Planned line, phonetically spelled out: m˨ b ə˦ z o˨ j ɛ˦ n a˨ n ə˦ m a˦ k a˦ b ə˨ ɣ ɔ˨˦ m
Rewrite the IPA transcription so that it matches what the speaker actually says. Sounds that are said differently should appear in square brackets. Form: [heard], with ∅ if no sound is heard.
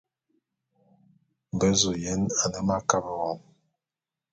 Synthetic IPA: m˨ b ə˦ z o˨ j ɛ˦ n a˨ n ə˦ m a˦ k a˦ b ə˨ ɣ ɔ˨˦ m